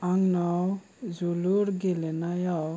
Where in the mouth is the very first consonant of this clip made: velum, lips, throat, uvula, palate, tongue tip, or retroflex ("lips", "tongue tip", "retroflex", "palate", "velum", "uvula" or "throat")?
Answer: velum